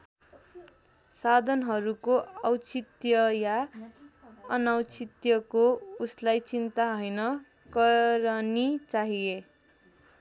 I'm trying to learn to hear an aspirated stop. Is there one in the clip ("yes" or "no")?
no